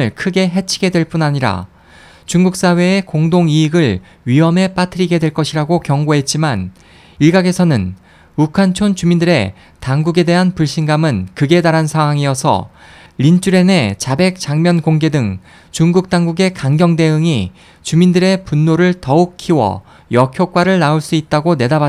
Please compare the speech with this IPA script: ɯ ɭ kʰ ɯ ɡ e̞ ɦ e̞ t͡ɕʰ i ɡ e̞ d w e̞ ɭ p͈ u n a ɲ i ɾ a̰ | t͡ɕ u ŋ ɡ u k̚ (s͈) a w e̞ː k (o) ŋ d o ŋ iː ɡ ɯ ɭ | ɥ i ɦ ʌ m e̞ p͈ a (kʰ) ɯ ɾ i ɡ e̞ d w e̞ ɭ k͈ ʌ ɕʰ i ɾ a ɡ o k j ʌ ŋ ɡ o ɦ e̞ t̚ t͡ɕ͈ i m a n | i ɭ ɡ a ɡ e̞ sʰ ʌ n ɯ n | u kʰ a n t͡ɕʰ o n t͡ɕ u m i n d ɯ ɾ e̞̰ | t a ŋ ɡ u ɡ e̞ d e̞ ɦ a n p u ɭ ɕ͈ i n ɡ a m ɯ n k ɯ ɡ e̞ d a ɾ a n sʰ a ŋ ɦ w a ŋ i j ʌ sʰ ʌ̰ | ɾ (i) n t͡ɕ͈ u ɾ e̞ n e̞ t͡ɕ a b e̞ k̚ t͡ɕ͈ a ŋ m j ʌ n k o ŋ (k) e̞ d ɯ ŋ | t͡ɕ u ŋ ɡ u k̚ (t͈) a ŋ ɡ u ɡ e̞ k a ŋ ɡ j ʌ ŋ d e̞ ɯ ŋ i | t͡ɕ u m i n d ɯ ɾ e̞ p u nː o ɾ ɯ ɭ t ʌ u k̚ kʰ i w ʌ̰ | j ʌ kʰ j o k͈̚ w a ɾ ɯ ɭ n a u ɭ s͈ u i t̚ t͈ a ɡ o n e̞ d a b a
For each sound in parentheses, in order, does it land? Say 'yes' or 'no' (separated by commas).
yes, yes, no, yes, no, yes